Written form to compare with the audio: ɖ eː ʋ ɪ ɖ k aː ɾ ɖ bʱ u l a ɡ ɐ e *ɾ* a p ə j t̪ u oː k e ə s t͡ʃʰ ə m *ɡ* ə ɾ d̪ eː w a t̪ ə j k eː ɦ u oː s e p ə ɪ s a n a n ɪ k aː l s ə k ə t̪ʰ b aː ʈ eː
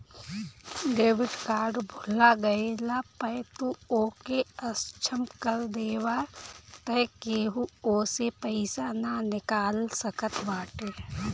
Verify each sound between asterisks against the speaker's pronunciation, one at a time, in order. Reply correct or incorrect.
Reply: incorrect, incorrect

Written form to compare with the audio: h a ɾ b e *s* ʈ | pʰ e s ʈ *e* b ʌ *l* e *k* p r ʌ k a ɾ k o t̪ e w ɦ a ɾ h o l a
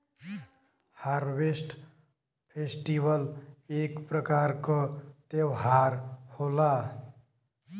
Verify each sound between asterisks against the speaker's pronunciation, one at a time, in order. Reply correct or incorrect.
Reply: correct, incorrect, correct, correct

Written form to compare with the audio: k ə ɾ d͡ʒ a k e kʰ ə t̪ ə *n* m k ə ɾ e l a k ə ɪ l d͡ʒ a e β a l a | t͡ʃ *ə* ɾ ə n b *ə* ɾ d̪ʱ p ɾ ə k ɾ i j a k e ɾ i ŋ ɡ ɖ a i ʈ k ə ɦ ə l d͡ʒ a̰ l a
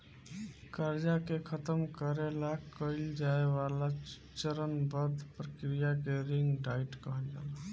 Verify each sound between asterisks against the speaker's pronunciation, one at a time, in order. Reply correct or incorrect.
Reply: incorrect, correct, correct

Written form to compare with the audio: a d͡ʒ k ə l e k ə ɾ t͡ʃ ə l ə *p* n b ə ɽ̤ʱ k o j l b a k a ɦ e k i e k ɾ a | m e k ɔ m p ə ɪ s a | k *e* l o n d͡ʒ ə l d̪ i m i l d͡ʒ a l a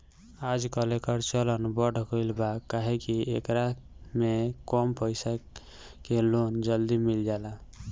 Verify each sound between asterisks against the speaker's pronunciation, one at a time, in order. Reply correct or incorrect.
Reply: incorrect, correct

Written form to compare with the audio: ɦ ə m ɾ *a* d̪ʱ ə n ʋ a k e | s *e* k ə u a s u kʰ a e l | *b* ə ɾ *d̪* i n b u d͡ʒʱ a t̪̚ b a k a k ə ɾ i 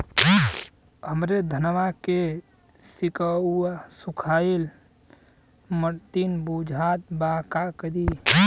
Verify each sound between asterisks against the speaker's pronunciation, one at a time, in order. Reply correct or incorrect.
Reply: incorrect, incorrect, incorrect, incorrect

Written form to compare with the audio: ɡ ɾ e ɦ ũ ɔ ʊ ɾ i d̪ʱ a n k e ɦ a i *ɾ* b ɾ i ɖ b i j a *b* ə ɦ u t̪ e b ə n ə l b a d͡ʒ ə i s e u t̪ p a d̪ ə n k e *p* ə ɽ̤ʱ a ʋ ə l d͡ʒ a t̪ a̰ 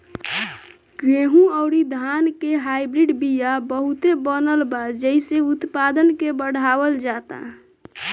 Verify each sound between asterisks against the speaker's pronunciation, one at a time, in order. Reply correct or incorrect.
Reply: incorrect, correct, incorrect

